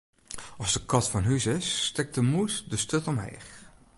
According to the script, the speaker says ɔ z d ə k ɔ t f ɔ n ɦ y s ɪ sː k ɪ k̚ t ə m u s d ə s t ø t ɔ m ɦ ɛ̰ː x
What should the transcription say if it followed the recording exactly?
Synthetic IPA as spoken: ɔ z d ə k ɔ t f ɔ n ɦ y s ɪ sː t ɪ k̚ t ə m u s d ə s t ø t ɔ m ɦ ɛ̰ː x